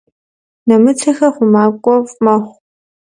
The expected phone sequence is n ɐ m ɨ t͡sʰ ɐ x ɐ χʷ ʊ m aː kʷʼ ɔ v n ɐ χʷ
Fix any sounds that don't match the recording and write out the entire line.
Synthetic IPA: n ɐ m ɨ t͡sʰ ɐ x ɐ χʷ ʊ m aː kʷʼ ɔ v m ɐ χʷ